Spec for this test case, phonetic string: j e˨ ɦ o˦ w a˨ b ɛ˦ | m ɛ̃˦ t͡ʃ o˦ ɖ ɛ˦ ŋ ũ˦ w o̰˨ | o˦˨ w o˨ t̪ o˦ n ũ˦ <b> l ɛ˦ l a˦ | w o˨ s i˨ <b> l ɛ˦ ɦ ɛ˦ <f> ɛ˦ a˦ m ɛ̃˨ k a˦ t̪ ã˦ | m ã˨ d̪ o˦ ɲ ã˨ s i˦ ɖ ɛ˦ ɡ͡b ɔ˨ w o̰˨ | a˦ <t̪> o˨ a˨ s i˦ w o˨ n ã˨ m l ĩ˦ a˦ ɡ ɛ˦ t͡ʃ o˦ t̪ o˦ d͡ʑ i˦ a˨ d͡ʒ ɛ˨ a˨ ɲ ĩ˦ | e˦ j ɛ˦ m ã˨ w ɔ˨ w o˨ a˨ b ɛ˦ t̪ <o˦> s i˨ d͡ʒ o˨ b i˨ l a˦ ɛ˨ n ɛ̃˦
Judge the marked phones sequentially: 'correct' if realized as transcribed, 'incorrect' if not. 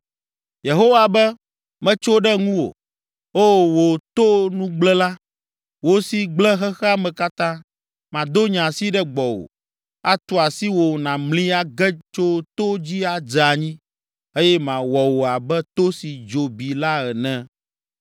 incorrect, incorrect, incorrect, correct, correct

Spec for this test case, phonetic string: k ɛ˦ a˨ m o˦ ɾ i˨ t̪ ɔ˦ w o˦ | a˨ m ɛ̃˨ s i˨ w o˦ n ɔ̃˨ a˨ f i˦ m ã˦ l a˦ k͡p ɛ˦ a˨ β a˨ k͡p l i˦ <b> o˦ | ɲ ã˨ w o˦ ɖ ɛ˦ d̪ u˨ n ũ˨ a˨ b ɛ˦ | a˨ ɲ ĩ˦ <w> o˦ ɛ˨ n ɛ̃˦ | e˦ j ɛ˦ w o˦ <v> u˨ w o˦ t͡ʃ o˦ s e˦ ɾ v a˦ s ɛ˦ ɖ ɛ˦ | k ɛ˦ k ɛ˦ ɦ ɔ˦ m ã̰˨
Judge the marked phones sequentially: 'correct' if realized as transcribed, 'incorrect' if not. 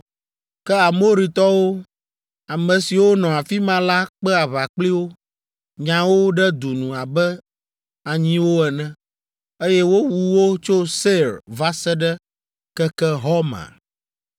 incorrect, correct, incorrect

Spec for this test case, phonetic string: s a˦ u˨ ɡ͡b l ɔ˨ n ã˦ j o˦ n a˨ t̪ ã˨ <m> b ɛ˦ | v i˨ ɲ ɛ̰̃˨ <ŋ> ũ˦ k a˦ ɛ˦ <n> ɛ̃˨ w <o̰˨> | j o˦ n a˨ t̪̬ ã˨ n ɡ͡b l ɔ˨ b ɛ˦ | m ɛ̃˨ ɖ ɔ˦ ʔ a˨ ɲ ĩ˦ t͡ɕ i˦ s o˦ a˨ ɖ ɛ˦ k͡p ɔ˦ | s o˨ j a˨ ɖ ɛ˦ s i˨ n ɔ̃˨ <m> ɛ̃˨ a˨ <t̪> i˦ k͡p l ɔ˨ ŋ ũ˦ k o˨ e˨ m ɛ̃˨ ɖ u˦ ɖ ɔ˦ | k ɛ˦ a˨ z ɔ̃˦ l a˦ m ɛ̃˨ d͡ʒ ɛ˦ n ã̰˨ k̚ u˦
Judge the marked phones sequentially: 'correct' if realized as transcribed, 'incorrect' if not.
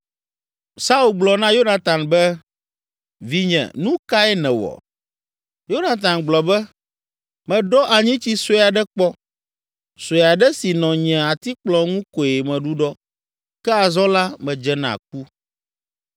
incorrect, incorrect, correct, incorrect, incorrect, correct

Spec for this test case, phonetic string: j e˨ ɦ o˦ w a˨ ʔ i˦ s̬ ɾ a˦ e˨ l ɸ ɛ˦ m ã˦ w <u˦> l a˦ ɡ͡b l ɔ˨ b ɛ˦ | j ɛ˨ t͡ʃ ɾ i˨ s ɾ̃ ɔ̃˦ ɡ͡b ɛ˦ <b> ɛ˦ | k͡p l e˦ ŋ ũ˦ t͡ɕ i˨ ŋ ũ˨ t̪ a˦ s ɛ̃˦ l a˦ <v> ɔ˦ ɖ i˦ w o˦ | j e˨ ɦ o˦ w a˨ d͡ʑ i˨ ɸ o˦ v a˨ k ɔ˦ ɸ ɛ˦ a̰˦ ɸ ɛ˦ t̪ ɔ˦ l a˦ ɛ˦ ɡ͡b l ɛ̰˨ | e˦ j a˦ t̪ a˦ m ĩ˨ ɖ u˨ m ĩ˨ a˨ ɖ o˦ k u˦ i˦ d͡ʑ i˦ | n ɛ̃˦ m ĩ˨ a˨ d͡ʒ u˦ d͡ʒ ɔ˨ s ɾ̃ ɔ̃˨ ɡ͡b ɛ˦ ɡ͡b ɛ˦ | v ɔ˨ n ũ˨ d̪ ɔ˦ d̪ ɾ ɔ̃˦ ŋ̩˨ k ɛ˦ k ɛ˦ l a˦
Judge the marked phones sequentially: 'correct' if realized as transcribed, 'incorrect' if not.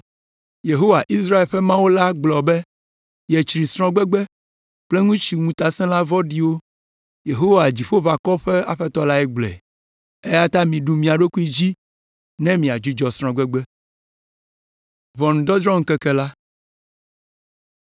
incorrect, incorrect, correct

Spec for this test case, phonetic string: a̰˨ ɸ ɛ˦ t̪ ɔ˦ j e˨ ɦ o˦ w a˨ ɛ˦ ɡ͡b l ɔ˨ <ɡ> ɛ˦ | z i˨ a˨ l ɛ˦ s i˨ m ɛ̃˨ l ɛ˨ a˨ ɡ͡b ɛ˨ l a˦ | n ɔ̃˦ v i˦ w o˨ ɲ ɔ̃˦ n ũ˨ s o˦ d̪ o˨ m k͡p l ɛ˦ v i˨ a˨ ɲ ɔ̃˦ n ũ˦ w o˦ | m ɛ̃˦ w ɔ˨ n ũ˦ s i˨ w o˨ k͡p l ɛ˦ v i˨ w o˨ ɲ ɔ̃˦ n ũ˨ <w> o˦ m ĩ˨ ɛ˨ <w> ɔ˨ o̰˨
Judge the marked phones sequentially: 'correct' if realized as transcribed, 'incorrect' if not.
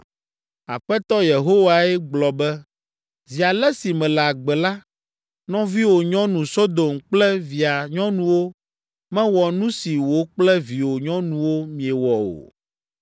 incorrect, correct, correct

